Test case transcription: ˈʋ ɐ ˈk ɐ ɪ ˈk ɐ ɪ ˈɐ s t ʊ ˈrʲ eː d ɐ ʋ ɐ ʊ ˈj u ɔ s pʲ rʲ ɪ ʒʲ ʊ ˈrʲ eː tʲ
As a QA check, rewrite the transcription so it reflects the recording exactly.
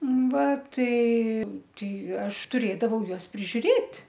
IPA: ˈʋ ɐ ˈt ɐ ɪ ˈt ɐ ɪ ˈɐ ʃ t ʊ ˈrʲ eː d ɐ ʋ ɐ ʊ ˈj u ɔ s pʲ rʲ ɪ ʒʲ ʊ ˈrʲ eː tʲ